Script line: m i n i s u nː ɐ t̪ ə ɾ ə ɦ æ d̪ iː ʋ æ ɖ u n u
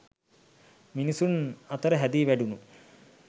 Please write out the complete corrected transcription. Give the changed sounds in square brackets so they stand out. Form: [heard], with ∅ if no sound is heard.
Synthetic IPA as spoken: m i n i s u [n] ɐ t̪ ə ɾ ə ɦ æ d̪ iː ʋ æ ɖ u n u